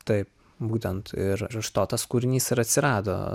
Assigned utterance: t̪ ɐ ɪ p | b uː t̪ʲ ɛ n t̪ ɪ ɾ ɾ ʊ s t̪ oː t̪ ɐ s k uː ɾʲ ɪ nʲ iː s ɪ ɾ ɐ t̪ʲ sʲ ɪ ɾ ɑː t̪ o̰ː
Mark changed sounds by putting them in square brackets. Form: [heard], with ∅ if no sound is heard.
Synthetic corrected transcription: t̪ ɐ ɪ p | b uː t̪ʲ ɛ n t̪ ɪ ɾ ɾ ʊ [ʃ] t̪ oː t̪ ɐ s k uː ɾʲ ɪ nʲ iː s ɪ ɾ ɐ t̪ʲ sʲ ɪ ɾ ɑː [d̪] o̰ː